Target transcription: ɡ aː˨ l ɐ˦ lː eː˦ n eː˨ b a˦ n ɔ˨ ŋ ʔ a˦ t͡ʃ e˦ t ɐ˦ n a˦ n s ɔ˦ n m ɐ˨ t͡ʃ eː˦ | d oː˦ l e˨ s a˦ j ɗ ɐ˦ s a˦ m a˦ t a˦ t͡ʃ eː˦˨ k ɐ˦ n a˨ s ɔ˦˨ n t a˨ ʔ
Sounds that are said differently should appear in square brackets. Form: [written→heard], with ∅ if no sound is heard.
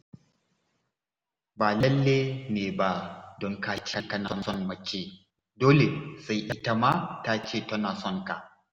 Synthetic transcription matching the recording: [ɡ→b] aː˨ l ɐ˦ lː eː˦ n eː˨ b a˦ [n→d] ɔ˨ ŋ [ʔ→k] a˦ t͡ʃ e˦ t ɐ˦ n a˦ n s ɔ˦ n m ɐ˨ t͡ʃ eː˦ | d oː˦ l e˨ s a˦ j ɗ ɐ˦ [s→t] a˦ m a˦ t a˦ t͡ʃ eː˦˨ [k→t] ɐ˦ n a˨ s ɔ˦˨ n t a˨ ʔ